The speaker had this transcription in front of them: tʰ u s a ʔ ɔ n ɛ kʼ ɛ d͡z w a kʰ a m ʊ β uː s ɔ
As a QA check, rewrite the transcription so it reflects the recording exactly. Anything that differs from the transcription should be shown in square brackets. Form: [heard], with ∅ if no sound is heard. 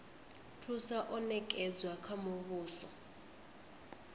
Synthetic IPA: tʰ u s a ʔ ɔ n ɛ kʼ ɛ d͡z w a kʰ a m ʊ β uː s ɔ